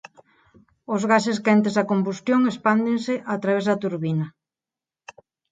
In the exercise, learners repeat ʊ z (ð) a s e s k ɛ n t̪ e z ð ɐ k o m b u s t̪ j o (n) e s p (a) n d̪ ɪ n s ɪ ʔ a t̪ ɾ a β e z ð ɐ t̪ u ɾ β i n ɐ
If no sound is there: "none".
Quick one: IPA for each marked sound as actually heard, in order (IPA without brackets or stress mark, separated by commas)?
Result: ɣ, ŋ, a